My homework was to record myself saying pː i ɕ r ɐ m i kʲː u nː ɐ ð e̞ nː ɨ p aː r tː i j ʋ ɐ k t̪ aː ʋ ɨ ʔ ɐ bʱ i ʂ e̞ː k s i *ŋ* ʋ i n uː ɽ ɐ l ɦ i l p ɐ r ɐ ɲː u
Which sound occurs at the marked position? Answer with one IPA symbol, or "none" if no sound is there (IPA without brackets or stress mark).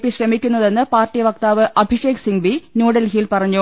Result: ŋ